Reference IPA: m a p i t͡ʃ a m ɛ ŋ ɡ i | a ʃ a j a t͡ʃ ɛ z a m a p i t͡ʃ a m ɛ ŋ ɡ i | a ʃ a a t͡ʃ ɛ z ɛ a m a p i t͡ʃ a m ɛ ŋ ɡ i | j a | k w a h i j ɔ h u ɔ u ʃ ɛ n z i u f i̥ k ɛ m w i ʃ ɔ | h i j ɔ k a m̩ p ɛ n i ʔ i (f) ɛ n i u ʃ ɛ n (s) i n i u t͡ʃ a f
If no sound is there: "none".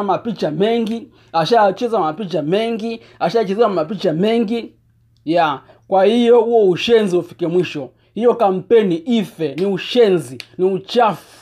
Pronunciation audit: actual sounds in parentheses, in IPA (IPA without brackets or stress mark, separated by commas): f, z